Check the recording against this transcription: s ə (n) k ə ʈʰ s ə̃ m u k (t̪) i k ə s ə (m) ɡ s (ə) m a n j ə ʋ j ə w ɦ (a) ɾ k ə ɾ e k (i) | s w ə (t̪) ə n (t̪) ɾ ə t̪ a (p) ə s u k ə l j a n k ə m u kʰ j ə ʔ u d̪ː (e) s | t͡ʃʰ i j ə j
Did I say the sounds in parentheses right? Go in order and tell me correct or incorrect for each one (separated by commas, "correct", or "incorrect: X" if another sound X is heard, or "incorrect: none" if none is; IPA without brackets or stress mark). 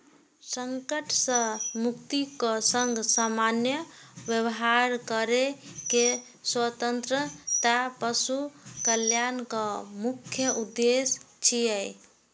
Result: incorrect: ŋ, correct, incorrect: ŋ, incorrect: a, correct, incorrect: e, correct, correct, correct, correct